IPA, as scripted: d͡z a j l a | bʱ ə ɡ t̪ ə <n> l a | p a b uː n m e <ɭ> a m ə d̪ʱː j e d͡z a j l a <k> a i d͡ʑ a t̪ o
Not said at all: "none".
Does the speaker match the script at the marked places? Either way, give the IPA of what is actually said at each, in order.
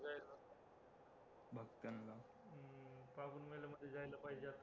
n, l, p

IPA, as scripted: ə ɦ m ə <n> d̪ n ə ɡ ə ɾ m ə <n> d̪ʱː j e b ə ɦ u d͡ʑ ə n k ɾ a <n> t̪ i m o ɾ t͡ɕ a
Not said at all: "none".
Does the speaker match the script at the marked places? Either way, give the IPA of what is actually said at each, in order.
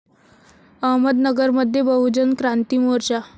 none, none, n

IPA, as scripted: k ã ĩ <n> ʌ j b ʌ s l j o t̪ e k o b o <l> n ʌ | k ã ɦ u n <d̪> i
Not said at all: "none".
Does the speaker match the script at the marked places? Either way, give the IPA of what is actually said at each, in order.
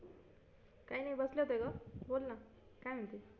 n, l, t̪

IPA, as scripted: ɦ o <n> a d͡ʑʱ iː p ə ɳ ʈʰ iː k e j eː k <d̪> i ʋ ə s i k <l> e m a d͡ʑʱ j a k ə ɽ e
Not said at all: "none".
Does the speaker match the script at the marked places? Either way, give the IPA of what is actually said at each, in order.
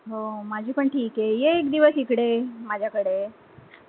m, d̪, ɽ

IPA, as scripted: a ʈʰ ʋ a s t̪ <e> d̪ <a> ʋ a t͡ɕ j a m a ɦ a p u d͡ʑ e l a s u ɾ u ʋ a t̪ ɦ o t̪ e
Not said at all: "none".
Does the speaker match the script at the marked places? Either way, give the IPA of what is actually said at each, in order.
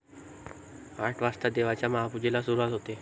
a, e

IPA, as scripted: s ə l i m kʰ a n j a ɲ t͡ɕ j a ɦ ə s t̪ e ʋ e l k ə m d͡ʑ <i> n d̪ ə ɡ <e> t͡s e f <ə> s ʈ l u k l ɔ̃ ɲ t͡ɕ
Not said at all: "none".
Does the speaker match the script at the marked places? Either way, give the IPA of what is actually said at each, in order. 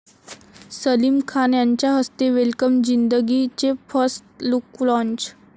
i, i, ə

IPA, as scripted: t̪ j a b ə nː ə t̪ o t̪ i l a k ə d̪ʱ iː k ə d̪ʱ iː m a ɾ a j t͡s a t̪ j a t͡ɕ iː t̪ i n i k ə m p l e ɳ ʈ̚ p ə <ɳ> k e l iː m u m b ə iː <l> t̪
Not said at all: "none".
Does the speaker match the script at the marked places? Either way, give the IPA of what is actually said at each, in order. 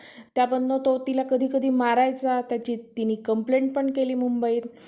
ɳ, none

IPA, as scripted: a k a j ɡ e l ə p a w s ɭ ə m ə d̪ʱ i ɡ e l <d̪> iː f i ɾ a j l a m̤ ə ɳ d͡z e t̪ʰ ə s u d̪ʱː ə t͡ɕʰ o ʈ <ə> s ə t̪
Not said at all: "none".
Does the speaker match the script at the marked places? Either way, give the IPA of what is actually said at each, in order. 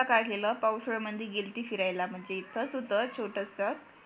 t̪, ə

